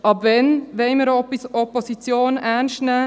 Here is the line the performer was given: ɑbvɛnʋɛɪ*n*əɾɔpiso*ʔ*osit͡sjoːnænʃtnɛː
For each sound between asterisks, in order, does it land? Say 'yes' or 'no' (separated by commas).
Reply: no, no